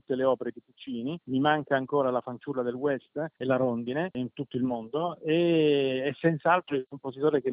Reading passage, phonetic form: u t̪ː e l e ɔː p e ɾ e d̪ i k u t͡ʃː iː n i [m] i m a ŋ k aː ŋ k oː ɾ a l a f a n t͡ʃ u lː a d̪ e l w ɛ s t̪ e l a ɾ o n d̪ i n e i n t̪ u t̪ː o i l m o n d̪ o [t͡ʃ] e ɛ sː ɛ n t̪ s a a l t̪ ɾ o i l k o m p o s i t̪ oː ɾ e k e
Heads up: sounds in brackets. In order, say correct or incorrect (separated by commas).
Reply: correct, incorrect